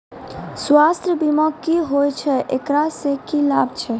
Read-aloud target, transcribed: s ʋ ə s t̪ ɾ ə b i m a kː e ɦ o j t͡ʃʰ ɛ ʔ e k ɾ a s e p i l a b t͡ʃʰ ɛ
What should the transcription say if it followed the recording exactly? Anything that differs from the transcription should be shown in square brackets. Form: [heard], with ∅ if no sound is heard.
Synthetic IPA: s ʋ [a] s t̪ ɾ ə b i m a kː [i] ɦ o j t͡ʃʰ ɛ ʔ e k ɾ a s e [k] i l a b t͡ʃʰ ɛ